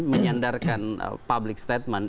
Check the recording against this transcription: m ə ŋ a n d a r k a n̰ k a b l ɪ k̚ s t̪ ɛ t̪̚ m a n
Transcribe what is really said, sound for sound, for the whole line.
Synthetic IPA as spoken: m ə ɲ a n d a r k a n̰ p a b l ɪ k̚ s t̪ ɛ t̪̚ m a n